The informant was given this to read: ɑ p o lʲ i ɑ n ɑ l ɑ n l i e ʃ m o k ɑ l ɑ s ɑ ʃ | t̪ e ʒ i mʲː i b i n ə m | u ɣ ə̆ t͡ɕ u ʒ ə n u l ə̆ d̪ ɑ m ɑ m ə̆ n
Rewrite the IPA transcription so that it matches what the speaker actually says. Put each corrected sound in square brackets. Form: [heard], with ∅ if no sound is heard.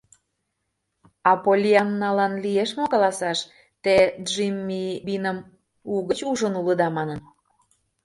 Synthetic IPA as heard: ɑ p o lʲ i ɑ [nː] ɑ l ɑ n l i e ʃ m o k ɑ l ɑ s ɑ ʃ | t̪ e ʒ i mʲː i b i n ə m | u ɣ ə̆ t͡ɕ u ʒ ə n u l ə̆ d̪ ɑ m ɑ [n] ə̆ n